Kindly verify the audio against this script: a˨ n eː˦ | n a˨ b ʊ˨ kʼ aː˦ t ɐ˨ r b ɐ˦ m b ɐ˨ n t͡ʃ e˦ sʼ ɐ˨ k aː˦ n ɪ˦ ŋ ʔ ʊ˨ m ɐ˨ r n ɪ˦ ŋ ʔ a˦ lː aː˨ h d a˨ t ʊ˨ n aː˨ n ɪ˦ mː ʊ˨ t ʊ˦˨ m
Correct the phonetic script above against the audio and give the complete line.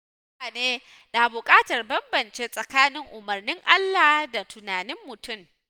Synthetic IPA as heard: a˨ n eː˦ | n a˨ b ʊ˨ kʼ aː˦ t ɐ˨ r b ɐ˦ m b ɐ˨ n t͡ʃ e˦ sʼ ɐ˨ k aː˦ n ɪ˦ ŋ ʔ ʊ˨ m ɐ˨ r n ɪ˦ ŋ ʔ a˦ lː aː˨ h d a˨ t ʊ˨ n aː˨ n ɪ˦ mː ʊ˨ t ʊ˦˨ m